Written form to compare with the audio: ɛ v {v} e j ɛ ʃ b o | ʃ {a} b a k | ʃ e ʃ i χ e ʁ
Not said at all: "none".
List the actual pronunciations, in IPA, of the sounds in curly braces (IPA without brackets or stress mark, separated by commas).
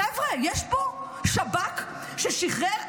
ʁ, a